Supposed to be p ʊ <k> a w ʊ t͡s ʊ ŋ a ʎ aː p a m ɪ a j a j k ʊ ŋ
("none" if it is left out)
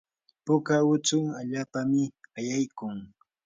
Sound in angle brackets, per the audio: k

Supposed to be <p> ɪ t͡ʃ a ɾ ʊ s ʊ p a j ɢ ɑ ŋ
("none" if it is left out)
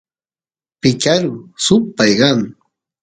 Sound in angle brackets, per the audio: p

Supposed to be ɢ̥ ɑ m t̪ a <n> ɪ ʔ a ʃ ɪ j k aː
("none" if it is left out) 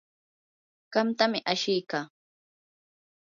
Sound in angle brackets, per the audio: m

